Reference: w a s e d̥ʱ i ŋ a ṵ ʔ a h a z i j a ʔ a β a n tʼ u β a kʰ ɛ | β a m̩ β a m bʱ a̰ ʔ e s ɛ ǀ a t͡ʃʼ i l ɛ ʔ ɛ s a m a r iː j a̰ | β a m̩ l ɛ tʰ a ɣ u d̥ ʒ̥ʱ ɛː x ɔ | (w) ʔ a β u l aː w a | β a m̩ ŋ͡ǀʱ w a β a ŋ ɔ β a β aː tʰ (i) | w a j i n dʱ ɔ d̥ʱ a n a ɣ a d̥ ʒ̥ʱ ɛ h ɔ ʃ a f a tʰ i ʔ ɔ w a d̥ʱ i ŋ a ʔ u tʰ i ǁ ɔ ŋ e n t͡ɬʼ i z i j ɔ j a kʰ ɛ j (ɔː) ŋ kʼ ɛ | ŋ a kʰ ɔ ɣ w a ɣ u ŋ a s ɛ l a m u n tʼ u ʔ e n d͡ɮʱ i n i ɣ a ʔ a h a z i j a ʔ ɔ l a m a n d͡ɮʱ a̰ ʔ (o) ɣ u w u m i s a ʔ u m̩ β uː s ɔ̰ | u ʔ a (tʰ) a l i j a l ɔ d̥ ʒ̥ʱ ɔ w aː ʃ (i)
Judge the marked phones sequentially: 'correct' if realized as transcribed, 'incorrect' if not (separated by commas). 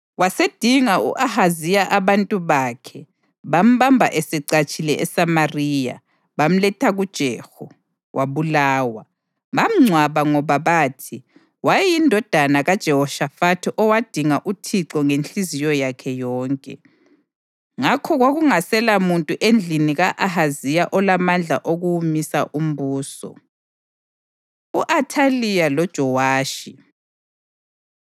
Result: correct, correct, correct, correct, correct, correct